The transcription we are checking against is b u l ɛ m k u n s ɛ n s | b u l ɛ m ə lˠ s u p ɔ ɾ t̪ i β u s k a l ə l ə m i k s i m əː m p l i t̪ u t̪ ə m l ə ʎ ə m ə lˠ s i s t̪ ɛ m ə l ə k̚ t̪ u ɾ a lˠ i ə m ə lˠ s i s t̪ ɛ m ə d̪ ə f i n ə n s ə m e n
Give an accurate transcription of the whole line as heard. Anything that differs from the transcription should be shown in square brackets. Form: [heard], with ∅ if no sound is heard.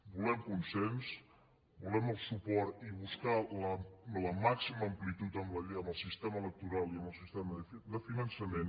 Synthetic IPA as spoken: b u l ɛ m k u n s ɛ n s | b u l ɛ m ə lˠ s u p ɔ ɾ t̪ i β u s k a l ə l ə m [a] k s i m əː m p l i t̪ u t̪ ə m l ə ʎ ə m ə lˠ s i s t̪ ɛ m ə l ə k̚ t̪ u ɾ a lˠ i ə m ə lˠ s i s t̪ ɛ m ə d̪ ə f i n ə n s ə m e n